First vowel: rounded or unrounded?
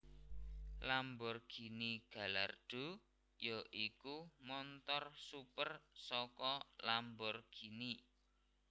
unrounded